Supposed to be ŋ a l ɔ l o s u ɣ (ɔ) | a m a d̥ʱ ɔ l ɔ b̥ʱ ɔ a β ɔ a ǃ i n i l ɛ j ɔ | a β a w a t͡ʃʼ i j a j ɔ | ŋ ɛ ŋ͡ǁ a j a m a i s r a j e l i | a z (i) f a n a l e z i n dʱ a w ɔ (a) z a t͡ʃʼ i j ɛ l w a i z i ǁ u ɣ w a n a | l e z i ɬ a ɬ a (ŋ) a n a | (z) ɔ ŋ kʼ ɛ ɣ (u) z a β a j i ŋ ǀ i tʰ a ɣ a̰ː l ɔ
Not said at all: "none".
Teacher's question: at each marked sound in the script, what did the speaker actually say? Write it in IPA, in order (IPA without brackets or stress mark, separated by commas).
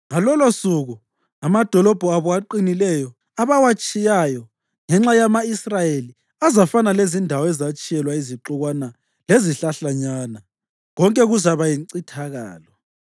u, a, ɛ, ɲ, ɣ, u